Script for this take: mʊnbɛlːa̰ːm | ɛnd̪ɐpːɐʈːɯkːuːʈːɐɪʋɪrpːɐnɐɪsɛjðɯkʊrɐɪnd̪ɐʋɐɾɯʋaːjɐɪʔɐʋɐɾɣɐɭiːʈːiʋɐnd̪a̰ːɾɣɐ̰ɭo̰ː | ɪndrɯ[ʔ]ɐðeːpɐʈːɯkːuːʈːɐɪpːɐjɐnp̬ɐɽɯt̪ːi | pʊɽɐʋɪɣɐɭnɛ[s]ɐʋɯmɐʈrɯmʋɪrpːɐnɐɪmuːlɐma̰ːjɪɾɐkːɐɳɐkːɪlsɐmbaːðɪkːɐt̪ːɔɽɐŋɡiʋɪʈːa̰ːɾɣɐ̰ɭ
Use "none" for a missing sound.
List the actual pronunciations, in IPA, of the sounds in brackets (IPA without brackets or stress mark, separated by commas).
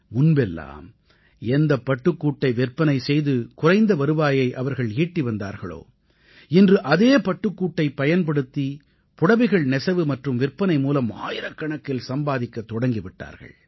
ʔ, s